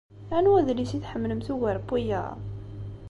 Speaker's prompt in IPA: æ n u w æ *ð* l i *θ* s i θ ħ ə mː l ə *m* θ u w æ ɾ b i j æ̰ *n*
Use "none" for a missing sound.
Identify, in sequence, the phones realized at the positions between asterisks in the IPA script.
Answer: ð, none, m, none

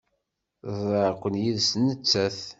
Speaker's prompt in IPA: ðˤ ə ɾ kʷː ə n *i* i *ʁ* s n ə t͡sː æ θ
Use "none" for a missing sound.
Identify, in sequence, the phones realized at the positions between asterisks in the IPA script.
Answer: j, ð

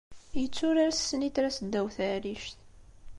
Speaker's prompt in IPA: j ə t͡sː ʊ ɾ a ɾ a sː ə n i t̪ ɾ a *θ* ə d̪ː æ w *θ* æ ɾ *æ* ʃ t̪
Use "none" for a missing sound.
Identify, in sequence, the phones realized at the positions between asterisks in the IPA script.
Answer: s, θ, i

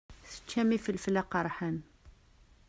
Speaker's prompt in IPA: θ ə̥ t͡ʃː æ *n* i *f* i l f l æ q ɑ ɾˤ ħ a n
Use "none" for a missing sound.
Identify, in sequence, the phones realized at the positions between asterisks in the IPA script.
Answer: m, f

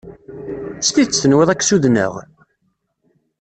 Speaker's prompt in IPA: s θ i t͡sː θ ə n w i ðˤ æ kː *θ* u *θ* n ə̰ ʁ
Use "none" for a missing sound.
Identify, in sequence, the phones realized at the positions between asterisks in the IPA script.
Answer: s, ð

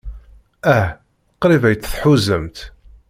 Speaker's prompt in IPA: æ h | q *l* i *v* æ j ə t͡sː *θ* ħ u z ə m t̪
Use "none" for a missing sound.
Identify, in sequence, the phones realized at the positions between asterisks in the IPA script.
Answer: ɾ, v, θ

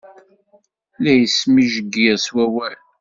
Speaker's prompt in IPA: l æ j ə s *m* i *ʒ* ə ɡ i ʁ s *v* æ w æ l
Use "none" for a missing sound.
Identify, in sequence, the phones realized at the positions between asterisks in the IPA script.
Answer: m, ʒ, w

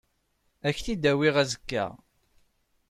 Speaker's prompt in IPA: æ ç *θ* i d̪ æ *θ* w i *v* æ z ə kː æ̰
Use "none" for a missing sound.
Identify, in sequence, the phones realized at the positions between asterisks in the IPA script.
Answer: θ, none, ʁ

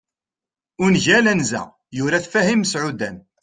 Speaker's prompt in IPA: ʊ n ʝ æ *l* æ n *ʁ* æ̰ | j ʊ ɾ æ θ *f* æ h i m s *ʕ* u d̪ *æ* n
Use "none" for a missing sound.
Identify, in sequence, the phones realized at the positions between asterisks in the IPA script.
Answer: l, z, f, ʕ, æ

